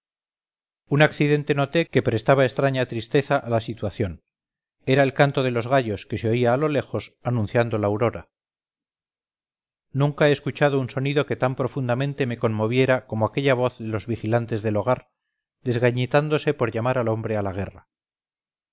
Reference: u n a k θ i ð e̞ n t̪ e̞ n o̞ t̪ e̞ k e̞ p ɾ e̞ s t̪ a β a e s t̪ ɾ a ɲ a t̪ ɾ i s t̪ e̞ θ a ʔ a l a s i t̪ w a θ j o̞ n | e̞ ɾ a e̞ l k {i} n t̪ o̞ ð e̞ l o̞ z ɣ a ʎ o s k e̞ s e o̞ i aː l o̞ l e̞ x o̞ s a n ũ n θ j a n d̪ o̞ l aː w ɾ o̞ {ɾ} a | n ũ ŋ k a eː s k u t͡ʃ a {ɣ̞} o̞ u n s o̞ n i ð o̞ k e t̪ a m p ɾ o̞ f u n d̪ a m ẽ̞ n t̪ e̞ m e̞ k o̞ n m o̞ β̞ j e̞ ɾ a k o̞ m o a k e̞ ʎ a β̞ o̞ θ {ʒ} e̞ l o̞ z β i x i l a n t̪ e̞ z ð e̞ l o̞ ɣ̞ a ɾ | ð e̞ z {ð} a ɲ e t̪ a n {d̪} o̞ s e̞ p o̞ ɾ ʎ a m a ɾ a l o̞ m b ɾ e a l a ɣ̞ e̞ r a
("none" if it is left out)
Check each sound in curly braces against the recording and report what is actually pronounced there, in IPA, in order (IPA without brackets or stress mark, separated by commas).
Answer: a, ɾ, ð̞, ð, ɣ, d̪